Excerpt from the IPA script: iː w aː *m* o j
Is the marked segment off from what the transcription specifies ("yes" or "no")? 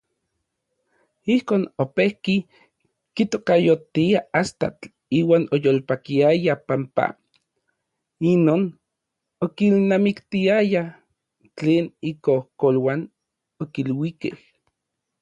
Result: yes